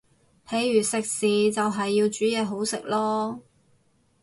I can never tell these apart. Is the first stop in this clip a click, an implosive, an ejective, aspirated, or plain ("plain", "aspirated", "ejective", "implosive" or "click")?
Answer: aspirated